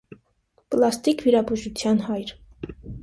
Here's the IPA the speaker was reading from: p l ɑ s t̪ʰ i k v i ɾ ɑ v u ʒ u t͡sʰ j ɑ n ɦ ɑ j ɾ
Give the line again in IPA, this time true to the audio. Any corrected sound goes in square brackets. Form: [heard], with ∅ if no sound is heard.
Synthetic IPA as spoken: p l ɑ s [t̪] i k v i ɾ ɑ [b] u ʒ u t͡sʰ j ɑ n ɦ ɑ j ɾ